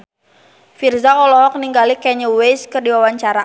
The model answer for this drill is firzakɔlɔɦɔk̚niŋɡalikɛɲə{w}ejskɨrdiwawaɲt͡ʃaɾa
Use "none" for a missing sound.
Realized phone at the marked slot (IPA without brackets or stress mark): w